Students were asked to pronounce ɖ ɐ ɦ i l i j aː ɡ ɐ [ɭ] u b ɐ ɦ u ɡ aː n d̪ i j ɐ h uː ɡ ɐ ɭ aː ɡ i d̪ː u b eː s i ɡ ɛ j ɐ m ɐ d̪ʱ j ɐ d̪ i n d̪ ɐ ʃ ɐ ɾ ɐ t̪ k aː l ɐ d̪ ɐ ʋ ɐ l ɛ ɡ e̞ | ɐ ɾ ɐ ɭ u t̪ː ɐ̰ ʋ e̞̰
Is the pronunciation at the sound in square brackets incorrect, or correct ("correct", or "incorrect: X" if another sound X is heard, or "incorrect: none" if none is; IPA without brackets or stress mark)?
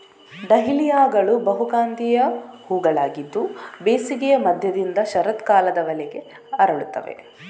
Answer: correct